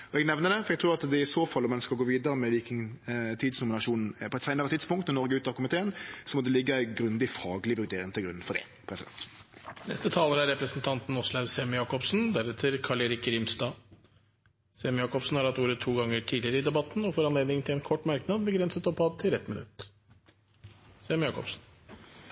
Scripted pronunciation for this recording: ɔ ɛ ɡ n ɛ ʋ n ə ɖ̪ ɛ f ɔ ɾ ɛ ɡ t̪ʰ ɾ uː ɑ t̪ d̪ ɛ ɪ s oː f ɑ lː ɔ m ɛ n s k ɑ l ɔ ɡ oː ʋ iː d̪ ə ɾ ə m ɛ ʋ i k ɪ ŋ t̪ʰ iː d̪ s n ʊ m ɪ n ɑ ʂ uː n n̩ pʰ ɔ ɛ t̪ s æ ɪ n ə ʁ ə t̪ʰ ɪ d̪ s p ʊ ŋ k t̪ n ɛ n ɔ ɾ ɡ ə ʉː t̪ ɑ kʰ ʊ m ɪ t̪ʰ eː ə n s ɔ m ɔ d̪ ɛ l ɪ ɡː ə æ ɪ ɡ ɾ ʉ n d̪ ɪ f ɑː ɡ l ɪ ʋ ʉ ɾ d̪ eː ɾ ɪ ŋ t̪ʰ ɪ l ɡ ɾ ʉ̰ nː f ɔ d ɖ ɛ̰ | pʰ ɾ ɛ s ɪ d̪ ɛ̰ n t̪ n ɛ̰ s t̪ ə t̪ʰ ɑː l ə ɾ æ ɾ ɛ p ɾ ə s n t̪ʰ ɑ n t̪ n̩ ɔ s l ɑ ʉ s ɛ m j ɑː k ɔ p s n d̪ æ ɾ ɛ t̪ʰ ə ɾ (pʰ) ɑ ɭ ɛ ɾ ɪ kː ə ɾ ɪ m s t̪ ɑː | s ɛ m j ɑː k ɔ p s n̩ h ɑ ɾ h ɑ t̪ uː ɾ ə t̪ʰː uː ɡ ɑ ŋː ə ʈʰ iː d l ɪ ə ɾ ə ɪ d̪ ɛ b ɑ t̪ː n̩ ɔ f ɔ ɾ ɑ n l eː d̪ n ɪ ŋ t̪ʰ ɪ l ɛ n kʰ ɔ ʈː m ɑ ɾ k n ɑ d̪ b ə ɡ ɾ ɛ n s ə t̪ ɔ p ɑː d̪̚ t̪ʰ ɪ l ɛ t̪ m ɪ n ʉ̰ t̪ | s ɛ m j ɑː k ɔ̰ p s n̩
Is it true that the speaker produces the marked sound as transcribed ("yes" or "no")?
no